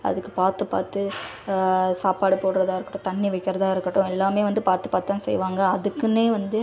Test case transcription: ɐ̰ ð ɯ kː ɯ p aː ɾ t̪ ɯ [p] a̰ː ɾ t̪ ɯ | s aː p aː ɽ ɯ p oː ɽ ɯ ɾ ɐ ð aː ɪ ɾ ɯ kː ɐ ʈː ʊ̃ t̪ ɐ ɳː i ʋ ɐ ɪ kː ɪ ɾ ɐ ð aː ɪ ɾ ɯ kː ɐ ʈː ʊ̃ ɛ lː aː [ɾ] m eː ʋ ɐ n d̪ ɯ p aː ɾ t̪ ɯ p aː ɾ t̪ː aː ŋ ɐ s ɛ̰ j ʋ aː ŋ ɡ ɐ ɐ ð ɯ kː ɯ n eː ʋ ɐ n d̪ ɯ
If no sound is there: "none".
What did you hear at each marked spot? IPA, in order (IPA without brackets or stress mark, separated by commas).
p, none